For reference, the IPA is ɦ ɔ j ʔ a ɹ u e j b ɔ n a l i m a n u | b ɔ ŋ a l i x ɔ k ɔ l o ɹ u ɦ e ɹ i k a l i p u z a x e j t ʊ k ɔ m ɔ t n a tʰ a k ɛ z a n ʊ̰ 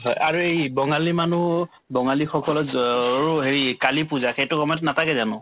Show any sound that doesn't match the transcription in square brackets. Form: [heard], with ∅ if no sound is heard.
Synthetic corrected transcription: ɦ ɔ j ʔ a ɹ u e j b ɔ [ŋ] a l i m a n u | b ɔ ŋ a l i x ɔ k ɔ l [ɔ] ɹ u ɦ e ɹ i k a l i p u z a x e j t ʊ k ɔ m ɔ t n a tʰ a k ɛ z a n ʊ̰